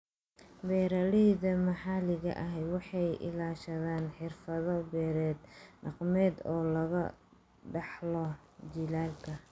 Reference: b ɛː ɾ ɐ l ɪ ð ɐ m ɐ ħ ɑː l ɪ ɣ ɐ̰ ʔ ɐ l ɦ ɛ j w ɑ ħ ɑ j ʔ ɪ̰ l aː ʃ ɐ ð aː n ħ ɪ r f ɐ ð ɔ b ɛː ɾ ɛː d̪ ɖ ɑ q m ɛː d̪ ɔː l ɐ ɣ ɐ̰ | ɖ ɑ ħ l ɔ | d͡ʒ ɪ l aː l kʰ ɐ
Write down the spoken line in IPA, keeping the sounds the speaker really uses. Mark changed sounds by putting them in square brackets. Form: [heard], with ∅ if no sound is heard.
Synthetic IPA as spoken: b ɛː ɾ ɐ l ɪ ð ɐ m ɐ ħ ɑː l ɪ ɣ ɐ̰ ʔ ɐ [∅] ɦ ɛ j w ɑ ħ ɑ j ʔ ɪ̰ l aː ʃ ɐ ð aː n ħ ɪ r f ɐ ð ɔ b ɛː ɾ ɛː d̪ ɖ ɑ q m ɛː d̪ ɔː l ɐ ɣ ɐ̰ | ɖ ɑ ħ l ɔ | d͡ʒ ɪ l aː l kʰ ɐ